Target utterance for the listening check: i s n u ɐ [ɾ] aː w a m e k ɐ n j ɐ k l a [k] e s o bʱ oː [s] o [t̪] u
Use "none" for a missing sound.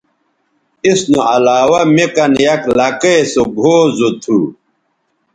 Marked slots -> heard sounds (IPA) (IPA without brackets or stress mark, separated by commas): l, k, z, t̪ʰ